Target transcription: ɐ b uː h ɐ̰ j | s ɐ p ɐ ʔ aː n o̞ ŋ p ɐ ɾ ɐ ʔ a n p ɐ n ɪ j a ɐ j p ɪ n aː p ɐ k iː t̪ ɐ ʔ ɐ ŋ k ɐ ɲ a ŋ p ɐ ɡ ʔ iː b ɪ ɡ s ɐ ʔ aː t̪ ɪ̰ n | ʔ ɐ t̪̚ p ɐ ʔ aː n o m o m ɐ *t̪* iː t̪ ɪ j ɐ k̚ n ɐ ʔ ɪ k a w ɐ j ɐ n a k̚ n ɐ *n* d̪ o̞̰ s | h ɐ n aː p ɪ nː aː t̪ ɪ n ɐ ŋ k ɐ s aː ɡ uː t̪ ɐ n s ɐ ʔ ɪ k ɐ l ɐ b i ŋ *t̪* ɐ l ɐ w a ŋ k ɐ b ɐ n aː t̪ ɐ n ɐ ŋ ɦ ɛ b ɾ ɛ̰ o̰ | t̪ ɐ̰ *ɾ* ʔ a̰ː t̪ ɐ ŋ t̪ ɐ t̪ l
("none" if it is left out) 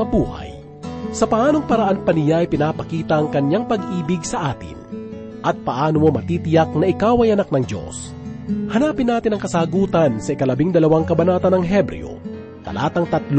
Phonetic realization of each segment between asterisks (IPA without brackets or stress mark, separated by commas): t̪, ŋ, d̪, l